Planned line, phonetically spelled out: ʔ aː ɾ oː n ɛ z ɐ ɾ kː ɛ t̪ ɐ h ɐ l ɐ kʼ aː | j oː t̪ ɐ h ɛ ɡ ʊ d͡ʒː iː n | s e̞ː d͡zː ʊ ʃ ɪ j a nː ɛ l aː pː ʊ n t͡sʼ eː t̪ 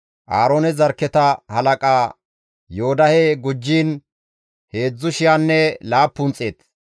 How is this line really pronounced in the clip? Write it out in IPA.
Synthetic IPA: ʔ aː ɾ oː n ɛ z ɐ ɾ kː ɛ t̪ ɐ h ɐ l ɐ kʼ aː | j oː d̪ ɐ h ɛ ɡ ʊ d͡ʒː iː n | h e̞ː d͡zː ʊ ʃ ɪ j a nː ɛ l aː pː ʊ n t͡sʼ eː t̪